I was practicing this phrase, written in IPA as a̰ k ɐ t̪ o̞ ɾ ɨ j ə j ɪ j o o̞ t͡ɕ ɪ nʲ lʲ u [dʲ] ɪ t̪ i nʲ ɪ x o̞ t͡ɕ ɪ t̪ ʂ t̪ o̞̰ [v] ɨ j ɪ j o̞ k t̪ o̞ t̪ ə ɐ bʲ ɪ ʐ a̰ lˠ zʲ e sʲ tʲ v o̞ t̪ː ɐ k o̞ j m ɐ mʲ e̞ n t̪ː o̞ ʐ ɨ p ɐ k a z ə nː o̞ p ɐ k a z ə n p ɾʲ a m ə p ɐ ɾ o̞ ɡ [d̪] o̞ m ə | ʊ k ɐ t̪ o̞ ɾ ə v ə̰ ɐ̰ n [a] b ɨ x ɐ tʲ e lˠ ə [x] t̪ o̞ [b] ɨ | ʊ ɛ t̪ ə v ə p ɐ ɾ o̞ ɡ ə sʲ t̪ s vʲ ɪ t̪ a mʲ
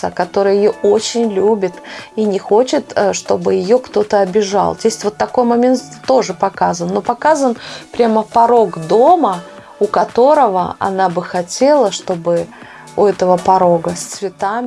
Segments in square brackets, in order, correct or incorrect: incorrect: bʲ, incorrect: b, correct, correct, incorrect: ʂ, correct

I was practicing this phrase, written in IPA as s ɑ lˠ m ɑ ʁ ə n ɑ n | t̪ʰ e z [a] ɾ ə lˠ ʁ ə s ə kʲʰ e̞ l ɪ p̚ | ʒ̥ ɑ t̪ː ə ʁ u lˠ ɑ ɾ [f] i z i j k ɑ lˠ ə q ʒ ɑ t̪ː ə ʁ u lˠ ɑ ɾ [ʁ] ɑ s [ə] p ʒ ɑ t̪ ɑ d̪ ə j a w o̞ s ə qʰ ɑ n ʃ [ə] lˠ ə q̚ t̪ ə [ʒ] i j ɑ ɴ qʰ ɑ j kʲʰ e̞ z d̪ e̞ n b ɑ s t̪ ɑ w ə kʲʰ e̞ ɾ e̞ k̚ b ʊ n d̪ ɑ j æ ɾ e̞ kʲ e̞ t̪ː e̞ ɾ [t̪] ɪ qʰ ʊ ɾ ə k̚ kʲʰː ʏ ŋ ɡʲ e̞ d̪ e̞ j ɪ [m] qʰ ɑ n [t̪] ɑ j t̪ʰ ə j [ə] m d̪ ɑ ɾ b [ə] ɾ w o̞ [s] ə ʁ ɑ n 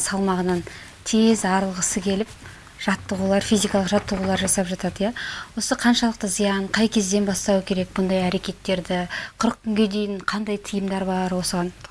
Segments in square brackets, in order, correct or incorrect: incorrect: ɑ, correct, incorrect: ʒ, incorrect: ɑ, incorrect: ɑ, incorrect: z, incorrect: d̪, incorrect: ɴ, incorrect: d̪, correct, incorrect: ɑ, correct

